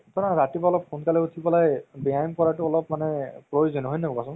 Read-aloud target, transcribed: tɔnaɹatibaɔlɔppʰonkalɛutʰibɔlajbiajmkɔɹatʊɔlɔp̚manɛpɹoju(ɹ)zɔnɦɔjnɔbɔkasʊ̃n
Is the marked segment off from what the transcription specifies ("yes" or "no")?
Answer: yes